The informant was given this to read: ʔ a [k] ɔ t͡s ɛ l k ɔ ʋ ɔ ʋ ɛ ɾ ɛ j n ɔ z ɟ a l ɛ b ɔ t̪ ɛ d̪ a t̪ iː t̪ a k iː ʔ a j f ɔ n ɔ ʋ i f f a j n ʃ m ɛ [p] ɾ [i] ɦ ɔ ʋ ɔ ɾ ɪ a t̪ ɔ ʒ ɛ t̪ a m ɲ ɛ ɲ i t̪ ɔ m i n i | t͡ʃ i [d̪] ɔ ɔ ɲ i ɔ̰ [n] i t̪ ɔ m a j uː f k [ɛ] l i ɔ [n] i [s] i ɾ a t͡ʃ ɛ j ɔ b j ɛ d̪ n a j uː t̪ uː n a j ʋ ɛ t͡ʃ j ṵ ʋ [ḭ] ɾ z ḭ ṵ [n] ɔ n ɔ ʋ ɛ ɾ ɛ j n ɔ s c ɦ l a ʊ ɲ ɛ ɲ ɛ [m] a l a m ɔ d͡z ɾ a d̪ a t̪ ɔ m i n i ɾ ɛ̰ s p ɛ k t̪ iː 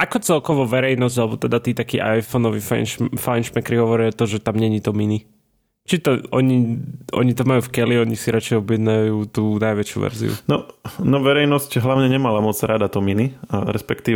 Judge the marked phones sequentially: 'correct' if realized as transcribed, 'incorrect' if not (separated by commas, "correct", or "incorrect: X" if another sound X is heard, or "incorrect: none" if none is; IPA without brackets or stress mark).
correct, incorrect: k, correct, incorrect: t̪, incorrect: ɲ, correct, incorrect: ɲ, correct, incorrect: ɛ̰, correct, correct